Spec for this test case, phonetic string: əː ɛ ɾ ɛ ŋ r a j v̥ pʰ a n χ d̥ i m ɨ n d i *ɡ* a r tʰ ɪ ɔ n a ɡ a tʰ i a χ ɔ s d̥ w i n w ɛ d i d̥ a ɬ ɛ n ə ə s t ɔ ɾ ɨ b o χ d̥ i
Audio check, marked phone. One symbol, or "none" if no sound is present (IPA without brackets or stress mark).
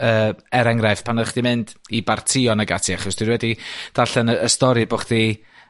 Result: b